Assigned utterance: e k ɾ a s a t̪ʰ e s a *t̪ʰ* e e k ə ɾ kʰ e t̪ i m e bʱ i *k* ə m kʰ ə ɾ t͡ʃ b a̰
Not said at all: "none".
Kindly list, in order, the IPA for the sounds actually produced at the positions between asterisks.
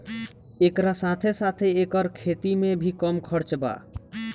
t̪ʰ, k

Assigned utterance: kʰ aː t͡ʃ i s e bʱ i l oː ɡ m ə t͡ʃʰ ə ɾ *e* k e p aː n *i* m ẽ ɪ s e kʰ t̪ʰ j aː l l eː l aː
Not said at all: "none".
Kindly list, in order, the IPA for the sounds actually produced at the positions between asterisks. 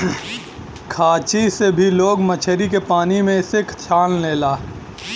i, i

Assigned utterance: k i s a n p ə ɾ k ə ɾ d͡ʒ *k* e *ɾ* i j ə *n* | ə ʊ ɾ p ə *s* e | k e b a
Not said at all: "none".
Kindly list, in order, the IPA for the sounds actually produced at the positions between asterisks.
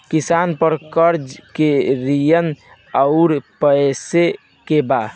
k, ɾ, n, s

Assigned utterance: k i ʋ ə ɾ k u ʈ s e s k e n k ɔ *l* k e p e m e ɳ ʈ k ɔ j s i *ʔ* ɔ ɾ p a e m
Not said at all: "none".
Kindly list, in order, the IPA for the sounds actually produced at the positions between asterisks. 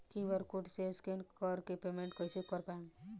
ɾ, k

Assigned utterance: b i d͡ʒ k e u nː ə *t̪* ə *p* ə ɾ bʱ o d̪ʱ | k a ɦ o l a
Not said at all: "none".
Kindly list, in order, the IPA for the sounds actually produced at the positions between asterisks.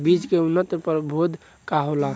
t̪, p

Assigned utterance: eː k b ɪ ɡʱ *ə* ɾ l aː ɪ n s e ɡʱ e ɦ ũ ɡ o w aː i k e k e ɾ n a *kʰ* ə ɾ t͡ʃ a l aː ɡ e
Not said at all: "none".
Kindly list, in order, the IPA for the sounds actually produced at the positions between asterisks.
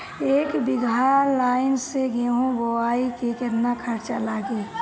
a, kʰ

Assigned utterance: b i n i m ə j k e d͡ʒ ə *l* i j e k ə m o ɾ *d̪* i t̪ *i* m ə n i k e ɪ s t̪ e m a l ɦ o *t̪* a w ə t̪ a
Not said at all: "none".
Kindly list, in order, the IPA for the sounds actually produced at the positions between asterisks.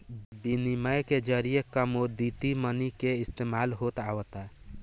ɾ, d̪, i, t̪

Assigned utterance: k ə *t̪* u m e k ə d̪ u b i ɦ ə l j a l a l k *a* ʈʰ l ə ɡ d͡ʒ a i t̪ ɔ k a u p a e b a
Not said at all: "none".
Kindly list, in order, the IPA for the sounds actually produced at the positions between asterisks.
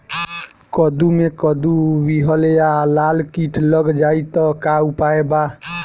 d̪, i

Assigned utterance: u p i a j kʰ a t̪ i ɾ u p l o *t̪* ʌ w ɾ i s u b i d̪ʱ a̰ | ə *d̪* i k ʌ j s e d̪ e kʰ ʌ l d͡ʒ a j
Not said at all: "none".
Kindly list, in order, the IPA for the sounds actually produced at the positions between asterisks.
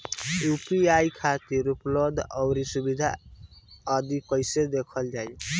d̪, d̪

